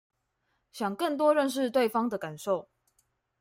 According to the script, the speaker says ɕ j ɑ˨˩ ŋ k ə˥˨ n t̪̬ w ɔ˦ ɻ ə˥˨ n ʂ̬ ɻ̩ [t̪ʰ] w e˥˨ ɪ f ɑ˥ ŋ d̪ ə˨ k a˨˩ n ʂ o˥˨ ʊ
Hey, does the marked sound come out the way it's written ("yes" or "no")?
no